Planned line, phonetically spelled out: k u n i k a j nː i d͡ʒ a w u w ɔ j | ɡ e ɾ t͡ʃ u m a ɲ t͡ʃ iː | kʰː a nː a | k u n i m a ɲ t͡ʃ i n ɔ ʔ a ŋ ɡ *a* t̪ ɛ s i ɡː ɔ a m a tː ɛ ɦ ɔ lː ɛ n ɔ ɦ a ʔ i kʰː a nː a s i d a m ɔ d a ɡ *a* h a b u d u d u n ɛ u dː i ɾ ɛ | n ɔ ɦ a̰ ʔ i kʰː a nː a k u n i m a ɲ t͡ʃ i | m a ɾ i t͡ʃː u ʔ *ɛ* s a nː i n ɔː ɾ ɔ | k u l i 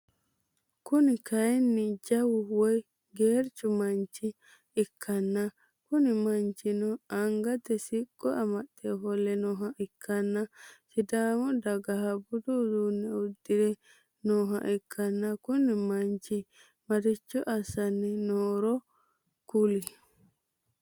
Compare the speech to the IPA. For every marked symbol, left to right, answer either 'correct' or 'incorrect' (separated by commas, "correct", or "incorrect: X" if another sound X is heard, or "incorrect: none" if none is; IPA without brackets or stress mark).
correct, correct, incorrect: a